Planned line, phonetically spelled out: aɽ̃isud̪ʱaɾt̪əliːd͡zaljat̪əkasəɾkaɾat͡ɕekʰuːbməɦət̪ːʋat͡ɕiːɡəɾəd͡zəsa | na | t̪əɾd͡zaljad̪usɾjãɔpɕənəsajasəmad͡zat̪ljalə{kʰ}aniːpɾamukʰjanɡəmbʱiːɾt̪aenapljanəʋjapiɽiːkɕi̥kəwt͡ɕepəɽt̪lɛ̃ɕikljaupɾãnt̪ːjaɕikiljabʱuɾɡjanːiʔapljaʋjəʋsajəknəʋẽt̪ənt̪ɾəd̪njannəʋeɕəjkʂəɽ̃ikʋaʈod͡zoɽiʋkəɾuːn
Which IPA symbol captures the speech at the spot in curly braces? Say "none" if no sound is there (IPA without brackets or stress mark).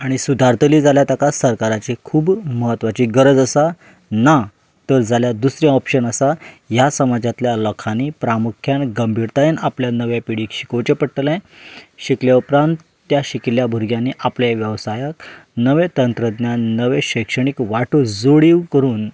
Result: kʰ